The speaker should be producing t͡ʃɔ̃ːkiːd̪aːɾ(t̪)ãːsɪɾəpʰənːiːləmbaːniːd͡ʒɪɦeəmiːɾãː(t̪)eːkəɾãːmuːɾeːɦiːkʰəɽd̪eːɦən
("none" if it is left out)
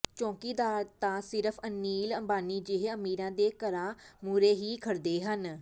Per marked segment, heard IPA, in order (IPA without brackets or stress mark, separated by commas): t̪, d̪